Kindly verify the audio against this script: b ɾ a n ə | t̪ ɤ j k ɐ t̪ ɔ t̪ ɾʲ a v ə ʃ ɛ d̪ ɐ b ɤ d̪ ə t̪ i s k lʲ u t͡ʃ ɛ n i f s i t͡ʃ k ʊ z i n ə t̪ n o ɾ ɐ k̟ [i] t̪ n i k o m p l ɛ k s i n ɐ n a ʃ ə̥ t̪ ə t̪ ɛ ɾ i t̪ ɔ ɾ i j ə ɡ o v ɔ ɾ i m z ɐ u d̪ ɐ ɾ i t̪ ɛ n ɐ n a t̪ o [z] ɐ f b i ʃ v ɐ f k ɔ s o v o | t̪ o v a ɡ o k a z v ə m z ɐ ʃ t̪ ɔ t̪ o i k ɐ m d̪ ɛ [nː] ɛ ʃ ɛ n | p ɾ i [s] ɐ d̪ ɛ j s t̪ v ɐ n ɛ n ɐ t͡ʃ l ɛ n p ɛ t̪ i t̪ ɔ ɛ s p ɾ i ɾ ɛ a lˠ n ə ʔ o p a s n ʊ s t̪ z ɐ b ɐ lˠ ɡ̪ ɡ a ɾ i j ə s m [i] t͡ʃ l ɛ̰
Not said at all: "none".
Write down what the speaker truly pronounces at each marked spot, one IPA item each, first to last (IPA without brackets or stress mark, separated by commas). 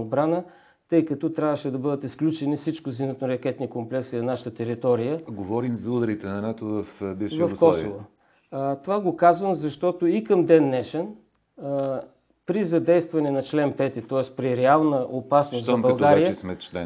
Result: ɛ, v, nː, z, ɛ